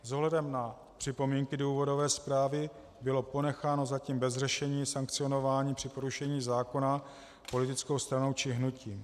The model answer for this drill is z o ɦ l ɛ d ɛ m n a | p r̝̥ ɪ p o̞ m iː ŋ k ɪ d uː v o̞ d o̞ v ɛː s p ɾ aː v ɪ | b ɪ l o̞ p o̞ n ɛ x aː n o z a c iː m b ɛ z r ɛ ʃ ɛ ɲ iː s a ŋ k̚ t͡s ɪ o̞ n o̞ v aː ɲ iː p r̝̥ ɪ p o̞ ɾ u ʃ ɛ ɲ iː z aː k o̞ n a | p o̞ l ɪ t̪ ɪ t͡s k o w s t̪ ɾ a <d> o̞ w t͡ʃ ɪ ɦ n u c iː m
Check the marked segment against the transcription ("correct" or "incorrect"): incorrect